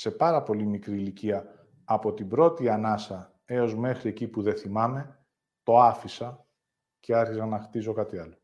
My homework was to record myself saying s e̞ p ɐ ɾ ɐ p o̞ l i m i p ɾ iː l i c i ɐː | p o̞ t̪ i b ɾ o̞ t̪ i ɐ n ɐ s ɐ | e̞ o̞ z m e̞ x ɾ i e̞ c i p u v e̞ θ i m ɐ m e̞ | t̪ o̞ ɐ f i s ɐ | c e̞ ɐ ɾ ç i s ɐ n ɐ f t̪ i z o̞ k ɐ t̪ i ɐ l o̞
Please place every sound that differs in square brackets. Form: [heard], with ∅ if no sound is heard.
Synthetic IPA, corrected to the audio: s e̞ p ɐ ɾ ɐ p o̞ l i m i [k] ɾ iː l i c i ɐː | p o̞ t̪ i b ɾ o̞ t̪ i ɐ n ɐ s ɐ | e̞ o̞ z m e̞ x ɾ i e̞ c i p u [ð] e̞ θ i m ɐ m e̞ | t̪ o̞ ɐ f i s ɐ | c e̞ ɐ ɾ ç i s ɐ n ɐ [x] t̪ i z o̞ k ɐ t̪ i ɐ l o̞